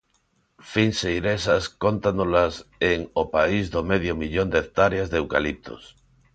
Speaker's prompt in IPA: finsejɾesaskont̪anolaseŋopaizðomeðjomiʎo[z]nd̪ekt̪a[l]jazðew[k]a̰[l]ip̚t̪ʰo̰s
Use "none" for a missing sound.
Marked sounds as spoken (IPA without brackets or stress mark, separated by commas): none, ɾ, k, l